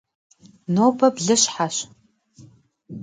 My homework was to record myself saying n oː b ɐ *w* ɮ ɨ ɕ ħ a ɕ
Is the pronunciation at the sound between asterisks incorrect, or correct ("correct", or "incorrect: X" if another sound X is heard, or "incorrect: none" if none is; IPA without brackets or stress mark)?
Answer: incorrect: b